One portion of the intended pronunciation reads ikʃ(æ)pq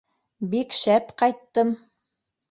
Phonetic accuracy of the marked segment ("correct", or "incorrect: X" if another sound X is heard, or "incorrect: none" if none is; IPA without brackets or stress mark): correct